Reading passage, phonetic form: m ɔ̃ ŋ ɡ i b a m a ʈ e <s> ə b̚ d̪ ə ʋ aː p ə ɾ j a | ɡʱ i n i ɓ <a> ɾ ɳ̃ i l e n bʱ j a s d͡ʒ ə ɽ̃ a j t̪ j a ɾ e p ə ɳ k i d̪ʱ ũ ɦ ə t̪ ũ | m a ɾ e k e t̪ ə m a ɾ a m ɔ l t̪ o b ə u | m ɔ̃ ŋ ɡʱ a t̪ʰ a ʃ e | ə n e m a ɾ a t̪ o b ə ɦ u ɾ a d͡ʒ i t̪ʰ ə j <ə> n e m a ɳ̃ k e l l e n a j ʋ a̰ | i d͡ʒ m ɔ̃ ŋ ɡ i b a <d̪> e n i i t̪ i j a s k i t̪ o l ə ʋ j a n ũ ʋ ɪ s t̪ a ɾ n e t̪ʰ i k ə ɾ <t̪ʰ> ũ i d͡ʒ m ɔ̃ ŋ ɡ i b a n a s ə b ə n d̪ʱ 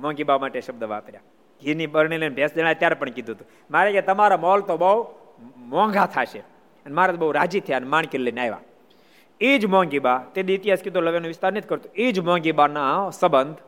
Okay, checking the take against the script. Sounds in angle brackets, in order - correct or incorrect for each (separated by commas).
incorrect, incorrect, incorrect, incorrect, incorrect